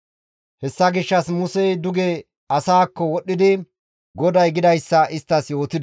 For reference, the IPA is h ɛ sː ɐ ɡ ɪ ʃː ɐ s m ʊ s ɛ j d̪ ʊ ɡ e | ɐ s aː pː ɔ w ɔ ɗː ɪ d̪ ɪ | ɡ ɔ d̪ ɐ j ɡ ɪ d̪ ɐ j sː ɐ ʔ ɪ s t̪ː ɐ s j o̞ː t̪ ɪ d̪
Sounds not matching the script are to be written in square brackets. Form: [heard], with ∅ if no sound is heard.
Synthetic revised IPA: h ɛ sː ɐ ɡ ɪ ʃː ɐ s m ʊ s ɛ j d̪ ʊ ɡ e | ɐ s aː [kː] ɔ w ɔ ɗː ɪ d̪ ɪ | ɡ ɔ d̪ ɐ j ɡ ɪ d̪ ɐ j sː ɐ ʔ ɪ s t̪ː ɐ s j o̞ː t̪ ɪ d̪